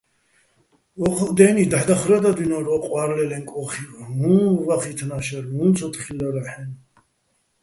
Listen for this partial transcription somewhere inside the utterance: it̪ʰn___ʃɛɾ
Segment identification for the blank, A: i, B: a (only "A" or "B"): B